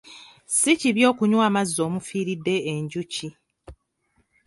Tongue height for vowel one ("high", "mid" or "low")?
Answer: high